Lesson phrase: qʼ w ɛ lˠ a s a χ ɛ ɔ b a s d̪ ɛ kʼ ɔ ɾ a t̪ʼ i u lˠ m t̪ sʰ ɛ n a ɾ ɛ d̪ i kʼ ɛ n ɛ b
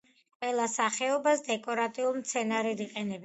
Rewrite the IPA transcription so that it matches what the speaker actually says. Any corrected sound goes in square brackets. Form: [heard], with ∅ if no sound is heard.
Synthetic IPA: qʼ w ɛ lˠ a s a χ ɛ ɔ b a s d̪ ɛ kʼ ɔ ɾ a t̪ʼ i u lˠ m t̪ sʰ ɛ n a ɾ ɛ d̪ i [qʼ] ɛ n ɛ b